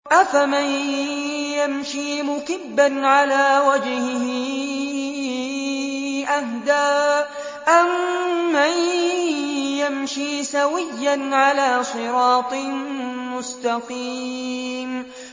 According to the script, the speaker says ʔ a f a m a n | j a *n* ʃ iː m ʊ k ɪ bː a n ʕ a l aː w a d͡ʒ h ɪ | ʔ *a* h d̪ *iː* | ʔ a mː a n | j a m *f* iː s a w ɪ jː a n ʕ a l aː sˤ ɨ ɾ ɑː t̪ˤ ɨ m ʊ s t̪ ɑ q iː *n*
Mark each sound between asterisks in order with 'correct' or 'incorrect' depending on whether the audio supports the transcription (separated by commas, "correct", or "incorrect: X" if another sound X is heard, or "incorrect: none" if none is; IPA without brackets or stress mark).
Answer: incorrect: m, correct, incorrect: aː, incorrect: ʃ, incorrect: m